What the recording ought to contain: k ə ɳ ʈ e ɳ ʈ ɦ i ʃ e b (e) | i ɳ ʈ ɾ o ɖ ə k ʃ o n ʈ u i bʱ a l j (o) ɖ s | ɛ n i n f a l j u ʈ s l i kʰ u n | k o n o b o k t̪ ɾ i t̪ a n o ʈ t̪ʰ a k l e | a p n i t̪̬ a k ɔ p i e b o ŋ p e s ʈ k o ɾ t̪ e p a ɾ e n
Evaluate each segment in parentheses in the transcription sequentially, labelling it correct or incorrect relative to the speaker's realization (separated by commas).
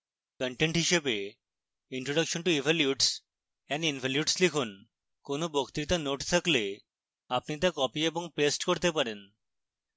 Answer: correct, incorrect